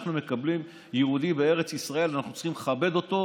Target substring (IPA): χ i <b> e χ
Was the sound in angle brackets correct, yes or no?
no